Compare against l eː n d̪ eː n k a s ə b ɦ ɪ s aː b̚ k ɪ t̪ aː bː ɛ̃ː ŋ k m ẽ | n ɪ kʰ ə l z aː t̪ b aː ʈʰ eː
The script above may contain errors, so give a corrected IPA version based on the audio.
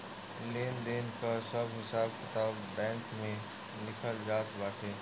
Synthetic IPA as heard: l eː n d̪ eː n k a s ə b ɦ ɪ s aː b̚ k ɪ t̪ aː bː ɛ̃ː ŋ k m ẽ | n ɪ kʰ ə l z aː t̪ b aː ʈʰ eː

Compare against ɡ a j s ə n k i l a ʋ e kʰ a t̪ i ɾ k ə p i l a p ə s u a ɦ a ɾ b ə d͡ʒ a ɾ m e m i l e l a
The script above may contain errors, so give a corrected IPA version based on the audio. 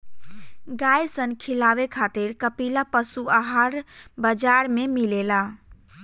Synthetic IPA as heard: ɡ a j s ə n kʰ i l a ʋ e kʰ a t̪ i ɾ k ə p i l a p ə s u a ɦ a ɾ b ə d͡ʒ a ɾ m e m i l e l a

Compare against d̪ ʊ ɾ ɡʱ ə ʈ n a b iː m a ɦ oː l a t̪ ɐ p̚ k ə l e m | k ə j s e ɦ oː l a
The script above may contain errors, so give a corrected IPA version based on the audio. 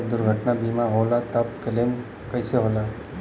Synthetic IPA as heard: d̪ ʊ ɾ ɡʱ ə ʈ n a b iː m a ɦ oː l a t̪ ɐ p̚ k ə l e m | k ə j s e ɦ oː l a

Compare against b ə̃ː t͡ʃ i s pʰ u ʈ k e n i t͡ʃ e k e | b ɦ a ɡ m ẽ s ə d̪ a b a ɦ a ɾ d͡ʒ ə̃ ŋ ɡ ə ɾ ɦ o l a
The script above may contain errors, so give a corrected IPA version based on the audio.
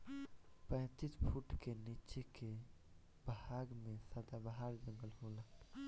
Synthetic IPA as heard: p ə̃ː t͡ʃ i s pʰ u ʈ k e n i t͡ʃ e k e | b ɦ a ɡ m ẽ s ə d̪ a b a ɦ a ɾ d͡ʒ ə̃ ŋ ɡ ə l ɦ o l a

